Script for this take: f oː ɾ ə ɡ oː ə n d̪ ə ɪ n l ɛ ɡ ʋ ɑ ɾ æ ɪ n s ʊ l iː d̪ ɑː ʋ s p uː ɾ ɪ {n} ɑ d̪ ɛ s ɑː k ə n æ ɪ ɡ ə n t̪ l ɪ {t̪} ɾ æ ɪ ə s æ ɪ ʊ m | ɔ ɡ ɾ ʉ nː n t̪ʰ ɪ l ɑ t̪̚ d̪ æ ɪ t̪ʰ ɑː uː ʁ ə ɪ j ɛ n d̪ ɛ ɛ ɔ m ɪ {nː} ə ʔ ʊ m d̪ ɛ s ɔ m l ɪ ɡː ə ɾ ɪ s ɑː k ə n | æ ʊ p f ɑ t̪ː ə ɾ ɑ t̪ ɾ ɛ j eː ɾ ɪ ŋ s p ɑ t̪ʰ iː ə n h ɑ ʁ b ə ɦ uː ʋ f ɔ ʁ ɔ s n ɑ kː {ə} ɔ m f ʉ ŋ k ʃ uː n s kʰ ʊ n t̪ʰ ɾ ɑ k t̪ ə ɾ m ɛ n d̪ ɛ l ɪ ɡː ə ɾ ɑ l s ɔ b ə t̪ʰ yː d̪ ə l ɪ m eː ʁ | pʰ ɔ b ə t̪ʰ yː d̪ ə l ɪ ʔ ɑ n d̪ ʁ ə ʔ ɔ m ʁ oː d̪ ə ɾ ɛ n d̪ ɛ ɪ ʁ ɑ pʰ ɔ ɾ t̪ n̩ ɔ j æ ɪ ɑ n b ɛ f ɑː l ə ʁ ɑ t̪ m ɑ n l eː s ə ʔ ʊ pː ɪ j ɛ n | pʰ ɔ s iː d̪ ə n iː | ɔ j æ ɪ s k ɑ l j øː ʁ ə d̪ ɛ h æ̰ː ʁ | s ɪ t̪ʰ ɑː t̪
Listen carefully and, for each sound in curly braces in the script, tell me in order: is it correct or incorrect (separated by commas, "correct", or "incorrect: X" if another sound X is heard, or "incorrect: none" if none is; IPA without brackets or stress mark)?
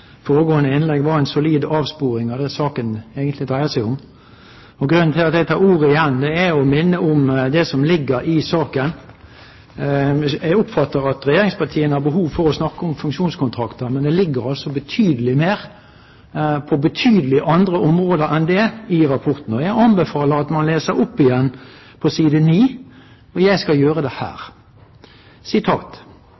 incorrect: ŋ, incorrect: d̪, correct, correct